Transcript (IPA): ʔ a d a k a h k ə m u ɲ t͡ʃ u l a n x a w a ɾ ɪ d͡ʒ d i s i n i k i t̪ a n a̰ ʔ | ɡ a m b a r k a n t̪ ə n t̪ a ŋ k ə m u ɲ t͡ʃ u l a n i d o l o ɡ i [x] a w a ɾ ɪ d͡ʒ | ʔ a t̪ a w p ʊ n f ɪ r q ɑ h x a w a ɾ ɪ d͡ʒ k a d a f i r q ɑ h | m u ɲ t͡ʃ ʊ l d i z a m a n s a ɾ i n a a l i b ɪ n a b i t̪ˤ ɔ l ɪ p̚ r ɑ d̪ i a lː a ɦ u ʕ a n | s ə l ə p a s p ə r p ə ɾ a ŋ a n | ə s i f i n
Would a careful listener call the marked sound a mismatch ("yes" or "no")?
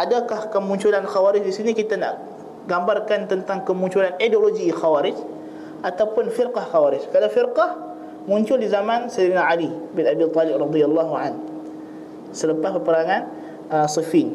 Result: no